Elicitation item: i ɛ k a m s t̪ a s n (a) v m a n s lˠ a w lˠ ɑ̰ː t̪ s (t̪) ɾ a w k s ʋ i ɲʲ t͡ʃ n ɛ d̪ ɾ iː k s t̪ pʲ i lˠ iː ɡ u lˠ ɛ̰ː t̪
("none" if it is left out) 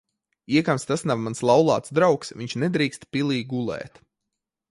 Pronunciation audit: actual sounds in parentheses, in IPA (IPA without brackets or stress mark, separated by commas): a, d̪